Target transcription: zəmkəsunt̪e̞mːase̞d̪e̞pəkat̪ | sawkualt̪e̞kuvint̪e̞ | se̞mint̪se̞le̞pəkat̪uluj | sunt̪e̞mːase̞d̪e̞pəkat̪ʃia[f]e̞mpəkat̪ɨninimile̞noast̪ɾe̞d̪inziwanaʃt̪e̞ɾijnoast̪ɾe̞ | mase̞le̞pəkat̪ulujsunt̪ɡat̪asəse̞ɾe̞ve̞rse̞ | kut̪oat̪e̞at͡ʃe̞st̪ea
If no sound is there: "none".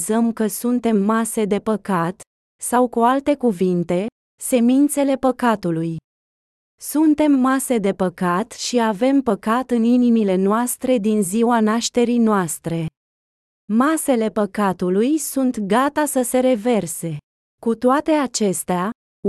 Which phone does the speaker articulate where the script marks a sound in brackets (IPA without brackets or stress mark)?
v